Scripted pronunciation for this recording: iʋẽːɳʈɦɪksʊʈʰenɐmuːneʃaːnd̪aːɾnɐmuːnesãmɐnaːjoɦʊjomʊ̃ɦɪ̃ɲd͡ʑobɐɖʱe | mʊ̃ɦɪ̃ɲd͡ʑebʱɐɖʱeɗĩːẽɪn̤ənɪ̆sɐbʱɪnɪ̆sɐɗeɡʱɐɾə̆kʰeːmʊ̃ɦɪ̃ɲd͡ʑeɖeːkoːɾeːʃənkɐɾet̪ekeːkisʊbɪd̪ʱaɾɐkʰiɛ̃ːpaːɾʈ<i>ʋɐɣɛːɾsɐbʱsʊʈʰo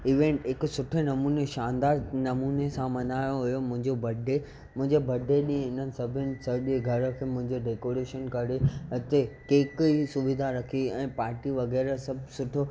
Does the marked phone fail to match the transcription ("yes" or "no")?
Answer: no